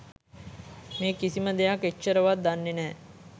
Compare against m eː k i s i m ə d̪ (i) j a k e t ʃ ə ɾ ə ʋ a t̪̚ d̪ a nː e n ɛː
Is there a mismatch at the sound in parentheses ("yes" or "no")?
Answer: yes